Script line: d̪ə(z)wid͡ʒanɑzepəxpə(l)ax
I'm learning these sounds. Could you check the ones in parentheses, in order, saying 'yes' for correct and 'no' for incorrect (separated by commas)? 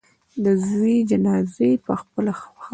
yes, yes